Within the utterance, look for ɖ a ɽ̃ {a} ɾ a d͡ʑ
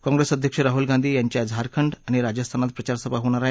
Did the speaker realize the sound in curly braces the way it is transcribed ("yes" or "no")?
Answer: no